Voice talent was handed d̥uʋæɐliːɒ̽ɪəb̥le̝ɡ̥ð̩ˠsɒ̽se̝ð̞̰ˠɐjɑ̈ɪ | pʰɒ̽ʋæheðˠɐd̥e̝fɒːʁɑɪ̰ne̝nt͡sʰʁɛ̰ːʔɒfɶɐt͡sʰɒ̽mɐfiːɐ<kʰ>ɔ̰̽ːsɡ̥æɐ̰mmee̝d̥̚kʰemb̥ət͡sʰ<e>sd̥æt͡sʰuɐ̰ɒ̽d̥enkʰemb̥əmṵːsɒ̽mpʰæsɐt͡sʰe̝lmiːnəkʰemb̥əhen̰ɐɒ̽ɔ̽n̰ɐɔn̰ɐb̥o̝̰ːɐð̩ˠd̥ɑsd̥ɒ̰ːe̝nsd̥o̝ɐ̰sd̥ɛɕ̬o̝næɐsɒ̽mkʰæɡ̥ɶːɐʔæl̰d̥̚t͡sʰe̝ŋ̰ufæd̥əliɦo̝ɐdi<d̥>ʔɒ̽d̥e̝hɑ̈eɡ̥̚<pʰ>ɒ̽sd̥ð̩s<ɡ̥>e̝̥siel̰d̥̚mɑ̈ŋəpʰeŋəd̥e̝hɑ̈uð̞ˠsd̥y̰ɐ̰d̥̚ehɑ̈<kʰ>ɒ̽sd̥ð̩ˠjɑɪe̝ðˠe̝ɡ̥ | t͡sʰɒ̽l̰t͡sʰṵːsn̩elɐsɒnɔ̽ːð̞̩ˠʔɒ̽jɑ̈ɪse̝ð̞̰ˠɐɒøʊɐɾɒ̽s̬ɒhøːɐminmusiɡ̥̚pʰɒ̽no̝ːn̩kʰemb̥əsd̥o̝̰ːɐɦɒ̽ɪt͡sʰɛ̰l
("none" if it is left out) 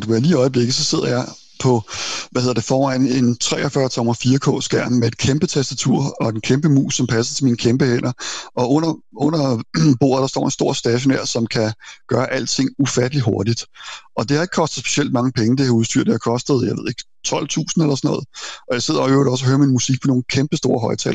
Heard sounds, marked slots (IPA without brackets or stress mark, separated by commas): kʰ, æ, d̥, kʰ, b̥, kʰ